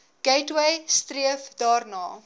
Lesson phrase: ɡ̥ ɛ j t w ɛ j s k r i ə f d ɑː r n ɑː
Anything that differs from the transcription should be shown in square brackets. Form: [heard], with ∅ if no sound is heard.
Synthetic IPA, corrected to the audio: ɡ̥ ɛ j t w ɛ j s [t] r i ə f d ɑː r n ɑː